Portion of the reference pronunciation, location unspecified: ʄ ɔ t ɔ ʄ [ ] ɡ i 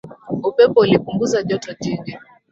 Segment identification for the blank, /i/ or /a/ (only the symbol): i